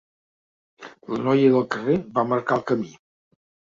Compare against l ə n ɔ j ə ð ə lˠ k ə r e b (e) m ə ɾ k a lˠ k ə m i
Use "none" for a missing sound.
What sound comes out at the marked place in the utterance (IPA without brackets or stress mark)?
a